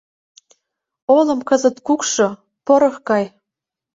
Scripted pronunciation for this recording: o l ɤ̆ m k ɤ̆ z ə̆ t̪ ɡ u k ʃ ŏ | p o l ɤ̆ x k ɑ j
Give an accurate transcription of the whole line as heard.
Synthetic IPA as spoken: o l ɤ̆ m k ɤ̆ z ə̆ t̪ k u k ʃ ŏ | p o ɾ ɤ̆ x k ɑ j